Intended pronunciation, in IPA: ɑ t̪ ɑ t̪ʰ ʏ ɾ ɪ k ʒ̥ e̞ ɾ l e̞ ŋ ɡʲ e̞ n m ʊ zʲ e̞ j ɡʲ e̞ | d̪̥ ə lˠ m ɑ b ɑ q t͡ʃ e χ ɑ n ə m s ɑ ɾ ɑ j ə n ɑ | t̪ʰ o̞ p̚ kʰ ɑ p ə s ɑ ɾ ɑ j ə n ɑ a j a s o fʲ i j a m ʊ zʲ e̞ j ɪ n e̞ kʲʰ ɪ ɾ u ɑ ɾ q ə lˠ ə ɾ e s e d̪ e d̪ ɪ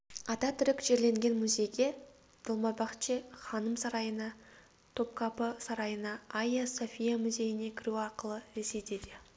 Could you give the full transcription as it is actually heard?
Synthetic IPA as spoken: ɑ t̪ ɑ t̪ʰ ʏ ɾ ɪ k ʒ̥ e̞ ɾ l e̞ ŋ ɡʲ e̞ n m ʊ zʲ e̞ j ɡʲ e̞ | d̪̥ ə lˠ m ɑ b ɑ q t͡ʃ e χ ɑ n ə m s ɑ ɾ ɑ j ə n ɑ | t̪ʰ o̞ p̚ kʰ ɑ p ə s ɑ ɾ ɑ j ə n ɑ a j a s o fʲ i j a m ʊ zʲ e̞ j ɪ n e̞ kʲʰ ɪ ɾ u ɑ ɾ q ə lˠ ə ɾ e s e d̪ e d̪ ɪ

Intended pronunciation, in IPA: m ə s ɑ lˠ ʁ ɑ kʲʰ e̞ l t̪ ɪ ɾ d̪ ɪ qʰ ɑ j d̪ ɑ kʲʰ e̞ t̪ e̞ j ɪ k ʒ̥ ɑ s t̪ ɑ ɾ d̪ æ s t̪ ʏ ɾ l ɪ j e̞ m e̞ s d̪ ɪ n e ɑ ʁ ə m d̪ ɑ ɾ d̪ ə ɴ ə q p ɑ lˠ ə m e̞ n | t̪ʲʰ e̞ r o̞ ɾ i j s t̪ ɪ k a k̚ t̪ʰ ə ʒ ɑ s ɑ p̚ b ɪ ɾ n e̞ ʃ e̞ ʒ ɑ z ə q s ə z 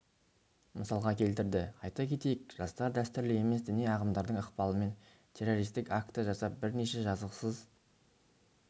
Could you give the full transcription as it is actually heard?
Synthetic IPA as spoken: m ə s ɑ lˠ ʁ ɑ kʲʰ e̞ l t̪ ɪ ɾ d̪ ɪ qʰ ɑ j t̪ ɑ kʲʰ e̞ t̪ e̞ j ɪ k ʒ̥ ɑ s t̪ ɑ ɾ d̪ æ s t̪ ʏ ɾ l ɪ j e̞ m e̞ s d̪ ɪ n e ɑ ʁ ə m d̪ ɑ ɾ d̪ ə ɴ ə q p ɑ lˠ ə m e̞ n | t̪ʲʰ e̞ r o̞ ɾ i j s t̪ ɪ k a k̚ t̪ ə ʒ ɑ s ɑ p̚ b ɪ ɾ n e̞ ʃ e̞ ʒ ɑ z ə q s ə z

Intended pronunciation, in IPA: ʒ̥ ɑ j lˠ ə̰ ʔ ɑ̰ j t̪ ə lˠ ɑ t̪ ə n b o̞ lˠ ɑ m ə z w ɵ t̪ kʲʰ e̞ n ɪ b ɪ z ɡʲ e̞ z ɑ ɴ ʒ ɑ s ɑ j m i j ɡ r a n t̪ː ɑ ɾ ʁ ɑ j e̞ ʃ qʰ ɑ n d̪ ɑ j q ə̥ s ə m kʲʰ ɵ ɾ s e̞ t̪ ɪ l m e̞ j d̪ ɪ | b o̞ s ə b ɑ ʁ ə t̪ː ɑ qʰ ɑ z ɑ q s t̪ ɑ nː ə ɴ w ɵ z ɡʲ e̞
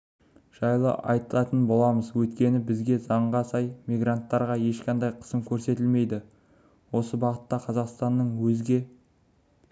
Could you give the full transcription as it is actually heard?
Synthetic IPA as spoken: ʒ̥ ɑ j lˠ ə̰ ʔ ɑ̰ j t̪ ə lˠ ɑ t̪ ə n b o̞ lˠ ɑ m ə z w ɵ t̪ kʲ e̞ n ɪ b ɪ z ɡʲ e̞ z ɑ ɴ ʁ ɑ s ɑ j m i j ɡ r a n t̪ː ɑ ɾ ʁ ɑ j e̞ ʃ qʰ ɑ n d̪ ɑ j qʰ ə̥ s ə m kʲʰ ɵ ɾ s e̞ t̪ ɪ l m e̞ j d̪ ɪ | w o̞ s ə b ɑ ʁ ə t̪ː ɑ qʰ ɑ z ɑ q s t̪ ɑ nː ə ɴ w ɵ z ɡʲ e̞

